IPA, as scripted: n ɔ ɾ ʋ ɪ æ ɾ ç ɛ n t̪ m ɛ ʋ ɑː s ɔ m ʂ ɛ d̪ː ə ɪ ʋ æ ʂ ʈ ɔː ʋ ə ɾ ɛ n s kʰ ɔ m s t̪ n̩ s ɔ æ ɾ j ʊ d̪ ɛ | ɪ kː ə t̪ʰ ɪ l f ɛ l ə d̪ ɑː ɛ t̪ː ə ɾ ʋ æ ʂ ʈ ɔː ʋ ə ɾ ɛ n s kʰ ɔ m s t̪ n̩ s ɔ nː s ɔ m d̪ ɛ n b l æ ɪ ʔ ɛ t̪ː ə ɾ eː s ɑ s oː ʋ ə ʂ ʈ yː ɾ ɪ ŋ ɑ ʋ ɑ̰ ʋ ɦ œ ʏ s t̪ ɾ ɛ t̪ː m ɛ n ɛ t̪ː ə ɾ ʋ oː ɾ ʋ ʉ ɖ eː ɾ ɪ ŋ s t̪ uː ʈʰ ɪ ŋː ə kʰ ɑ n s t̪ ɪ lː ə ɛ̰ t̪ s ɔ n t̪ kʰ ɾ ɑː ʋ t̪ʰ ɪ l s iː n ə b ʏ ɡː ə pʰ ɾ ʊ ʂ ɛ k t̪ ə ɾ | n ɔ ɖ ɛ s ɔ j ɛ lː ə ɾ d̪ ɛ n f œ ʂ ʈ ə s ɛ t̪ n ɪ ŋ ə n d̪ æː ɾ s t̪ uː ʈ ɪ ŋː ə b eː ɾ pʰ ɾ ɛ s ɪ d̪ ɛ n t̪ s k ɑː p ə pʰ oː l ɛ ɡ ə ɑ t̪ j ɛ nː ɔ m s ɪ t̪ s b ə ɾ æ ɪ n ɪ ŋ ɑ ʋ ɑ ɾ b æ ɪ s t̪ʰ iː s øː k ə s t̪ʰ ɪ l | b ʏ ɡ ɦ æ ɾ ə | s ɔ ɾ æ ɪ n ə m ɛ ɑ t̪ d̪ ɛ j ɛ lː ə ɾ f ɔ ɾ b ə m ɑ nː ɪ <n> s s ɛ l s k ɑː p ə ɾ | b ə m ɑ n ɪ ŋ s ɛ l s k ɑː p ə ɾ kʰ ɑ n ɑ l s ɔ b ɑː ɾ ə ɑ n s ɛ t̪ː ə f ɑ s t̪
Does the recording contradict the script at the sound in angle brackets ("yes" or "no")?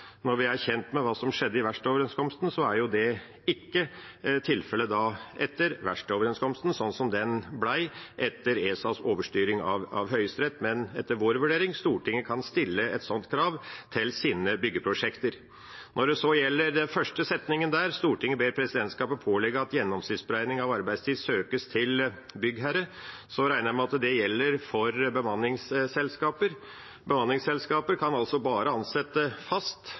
yes